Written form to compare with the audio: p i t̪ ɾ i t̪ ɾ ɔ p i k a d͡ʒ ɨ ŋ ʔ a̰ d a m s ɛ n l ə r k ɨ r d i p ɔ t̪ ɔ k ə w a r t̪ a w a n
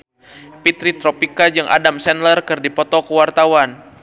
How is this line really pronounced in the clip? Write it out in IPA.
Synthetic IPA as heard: p i t̪ ɾ i t̪ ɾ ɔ p i k a d͡ʒ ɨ ŋ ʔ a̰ d a m s ɛ n l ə r k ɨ r d i p ɔ t̪ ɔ k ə w a r t̪ a w a n